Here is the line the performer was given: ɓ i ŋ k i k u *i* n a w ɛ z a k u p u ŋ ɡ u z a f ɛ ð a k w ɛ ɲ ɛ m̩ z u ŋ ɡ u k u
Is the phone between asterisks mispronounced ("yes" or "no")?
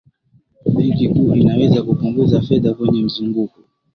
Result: no